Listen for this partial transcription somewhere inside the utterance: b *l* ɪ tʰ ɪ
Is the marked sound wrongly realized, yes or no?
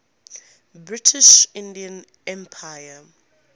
yes